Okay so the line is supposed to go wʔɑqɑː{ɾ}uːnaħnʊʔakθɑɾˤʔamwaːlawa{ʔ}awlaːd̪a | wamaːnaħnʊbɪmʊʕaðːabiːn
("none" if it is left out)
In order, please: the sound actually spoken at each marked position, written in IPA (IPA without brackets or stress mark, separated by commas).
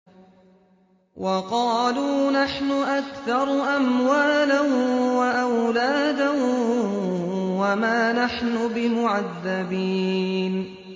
l, ʔ